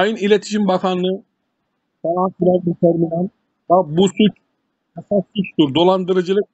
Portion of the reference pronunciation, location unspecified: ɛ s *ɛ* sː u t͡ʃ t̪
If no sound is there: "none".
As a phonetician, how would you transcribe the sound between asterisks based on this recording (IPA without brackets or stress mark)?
a